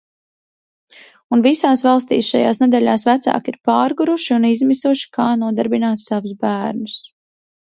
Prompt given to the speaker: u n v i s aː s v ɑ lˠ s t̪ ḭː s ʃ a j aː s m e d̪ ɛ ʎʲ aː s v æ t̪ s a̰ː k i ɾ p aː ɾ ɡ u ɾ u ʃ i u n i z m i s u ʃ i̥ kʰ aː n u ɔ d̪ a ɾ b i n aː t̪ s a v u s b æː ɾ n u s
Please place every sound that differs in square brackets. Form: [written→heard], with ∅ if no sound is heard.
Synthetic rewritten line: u n v i s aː s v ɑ lˠ s t̪ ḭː s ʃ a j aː s [m→n] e d̪ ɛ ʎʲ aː s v æ t̪ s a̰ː k i ɾ p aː ɾ ɡ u ɾ u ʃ i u n i z m i s u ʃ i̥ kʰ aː n u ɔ d̪ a ɾ b i n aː t̪ s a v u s b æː ɾ n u s